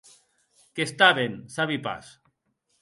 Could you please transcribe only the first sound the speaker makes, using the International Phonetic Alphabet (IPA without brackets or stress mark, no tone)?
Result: k